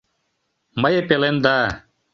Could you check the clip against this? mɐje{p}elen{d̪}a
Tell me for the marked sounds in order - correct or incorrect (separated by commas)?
correct, correct